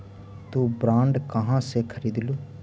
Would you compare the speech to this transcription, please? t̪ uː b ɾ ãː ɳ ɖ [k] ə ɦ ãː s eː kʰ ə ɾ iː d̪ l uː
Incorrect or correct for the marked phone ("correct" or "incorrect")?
correct